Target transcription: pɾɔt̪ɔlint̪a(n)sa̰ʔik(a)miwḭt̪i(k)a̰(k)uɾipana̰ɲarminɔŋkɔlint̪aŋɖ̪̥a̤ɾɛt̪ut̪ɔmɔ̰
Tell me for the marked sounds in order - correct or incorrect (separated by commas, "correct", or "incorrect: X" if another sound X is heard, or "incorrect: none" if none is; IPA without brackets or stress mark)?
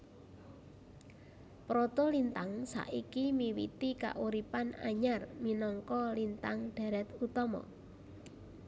incorrect: ŋ, incorrect: i, correct, incorrect: ʔ